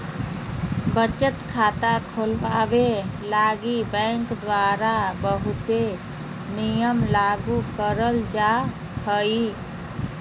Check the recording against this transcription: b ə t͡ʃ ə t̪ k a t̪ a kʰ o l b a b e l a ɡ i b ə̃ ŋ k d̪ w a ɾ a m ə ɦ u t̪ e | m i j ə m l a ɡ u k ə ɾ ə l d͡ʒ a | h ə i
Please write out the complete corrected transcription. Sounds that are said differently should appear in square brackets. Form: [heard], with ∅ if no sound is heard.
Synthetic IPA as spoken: b ə t͡ʃ ə t̪ [kʰ] a t̪ a kʰ o l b a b e l a ɡ i b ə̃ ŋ k d̪ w a ɾ a [b] ə ɦ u t̪ e | [n] i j ə m l a ɡ u k ə ɾ ə l d͡ʒ a | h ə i